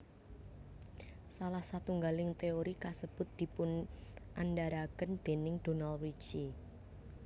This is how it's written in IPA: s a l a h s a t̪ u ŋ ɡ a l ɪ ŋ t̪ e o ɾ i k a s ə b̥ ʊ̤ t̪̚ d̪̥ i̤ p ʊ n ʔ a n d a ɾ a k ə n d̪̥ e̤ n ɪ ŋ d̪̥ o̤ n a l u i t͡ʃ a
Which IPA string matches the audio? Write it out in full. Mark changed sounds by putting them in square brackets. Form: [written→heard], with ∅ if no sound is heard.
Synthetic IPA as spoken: s a l a h s a t̪ u ŋ ɡ a l ɪ ŋ t̪ e o ɾ i k a s ə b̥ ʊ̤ t̪̚ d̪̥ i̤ p ʊ n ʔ a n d a ɾ a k ə n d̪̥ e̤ n ɪ ŋ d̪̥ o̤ n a l [u→w] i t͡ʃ [a→i]